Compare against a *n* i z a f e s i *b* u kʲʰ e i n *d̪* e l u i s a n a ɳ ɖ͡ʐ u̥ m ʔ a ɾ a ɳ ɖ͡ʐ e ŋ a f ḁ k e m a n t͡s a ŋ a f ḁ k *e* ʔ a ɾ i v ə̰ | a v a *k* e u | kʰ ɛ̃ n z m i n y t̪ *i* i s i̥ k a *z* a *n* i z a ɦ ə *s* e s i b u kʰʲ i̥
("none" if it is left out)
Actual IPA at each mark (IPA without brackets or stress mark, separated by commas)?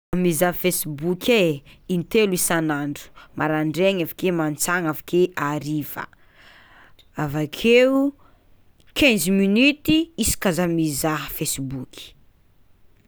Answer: m, b, t̪, e, kʰ, i, z, m, f